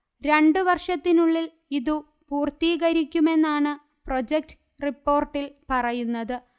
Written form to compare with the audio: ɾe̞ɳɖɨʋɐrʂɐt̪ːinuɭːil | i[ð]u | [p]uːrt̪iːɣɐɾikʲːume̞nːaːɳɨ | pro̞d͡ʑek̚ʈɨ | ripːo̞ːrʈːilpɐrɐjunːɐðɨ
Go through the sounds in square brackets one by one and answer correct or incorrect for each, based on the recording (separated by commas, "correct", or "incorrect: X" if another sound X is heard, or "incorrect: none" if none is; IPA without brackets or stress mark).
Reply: correct, correct